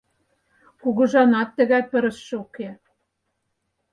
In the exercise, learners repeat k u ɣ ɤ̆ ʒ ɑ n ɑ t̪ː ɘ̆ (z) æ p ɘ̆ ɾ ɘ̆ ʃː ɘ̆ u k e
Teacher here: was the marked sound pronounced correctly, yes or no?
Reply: no